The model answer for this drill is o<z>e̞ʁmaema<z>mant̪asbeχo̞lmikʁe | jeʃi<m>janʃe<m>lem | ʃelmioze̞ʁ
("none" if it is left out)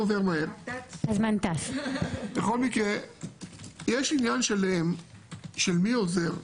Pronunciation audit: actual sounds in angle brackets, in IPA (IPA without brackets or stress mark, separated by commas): v, z, n, none